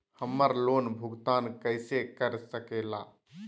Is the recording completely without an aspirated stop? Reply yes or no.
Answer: yes